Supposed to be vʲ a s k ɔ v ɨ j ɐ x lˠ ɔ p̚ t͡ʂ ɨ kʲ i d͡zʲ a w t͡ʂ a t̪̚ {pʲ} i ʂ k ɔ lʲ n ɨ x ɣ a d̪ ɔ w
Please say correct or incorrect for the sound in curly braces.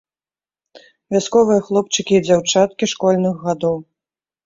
incorrect